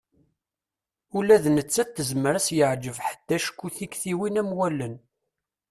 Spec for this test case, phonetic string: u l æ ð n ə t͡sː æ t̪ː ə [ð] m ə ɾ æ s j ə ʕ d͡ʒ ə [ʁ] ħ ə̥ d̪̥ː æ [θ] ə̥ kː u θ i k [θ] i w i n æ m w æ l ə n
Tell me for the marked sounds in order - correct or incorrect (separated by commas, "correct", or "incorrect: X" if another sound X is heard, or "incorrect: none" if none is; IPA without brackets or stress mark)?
incorrect: z, incorrect: v, incorrect: ʃ, correct